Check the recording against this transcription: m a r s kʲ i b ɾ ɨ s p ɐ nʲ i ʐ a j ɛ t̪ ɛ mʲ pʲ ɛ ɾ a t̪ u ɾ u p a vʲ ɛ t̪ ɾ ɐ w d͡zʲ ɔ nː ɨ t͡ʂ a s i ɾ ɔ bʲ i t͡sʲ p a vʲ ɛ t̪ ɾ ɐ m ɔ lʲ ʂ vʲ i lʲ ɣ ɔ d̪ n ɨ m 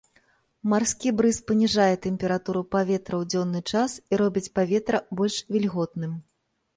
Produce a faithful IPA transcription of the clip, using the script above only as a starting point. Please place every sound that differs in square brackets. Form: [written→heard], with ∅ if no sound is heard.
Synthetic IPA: m a r s kʲ i b ɾ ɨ s p ɐ nʲ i ʐ a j ɛ t̪ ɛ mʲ pʲ ɛ ɾ a t̪ u ɾ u p a vʲ ɛ t̪ ɾ ɐ w d͡zʲ ɔ nː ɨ t͡ʂ a s i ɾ ɔ bʲ i t͡sʲ p a vʲ ɛ t̪ ɾ ɐ [m→b] ɔ lʲ ʂ vʲ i lʲ ɣ ɔ [d̪→t̪] n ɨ m